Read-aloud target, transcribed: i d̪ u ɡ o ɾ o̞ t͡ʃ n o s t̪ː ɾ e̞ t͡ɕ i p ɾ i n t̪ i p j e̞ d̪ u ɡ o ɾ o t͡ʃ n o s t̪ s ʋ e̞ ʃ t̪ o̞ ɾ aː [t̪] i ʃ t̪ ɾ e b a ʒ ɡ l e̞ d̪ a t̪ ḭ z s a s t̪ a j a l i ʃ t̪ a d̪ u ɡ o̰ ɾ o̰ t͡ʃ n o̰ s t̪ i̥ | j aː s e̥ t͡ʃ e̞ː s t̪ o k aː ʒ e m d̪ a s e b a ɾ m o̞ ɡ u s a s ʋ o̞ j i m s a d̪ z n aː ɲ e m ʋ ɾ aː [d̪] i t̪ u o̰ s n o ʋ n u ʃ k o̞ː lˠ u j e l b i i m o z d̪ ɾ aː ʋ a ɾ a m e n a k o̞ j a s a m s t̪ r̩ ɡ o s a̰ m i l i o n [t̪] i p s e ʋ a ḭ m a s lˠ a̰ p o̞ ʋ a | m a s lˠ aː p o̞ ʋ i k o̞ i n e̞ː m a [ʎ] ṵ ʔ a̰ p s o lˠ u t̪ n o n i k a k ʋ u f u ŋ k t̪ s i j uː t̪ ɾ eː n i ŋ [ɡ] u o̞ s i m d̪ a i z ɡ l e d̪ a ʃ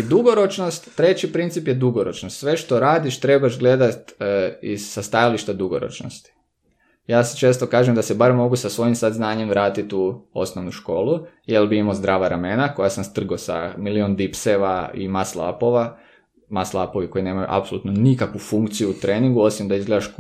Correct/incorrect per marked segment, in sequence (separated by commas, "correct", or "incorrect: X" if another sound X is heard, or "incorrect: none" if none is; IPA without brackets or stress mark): incorrect: d̪, incorrect: t̪, incorrect: d̪, incorrect: j, correct